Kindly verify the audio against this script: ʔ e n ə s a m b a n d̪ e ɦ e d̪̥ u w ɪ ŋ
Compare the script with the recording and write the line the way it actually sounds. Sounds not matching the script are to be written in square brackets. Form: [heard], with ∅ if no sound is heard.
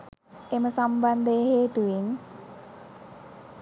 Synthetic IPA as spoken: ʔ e [m] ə s a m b a n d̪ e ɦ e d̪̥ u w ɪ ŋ